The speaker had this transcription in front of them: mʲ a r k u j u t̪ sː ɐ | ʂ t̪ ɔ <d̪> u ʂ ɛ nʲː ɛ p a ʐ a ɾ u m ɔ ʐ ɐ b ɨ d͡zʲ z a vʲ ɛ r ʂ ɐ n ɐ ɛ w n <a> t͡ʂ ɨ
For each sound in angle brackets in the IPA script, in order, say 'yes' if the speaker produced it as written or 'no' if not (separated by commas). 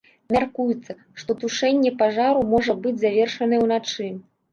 no, yes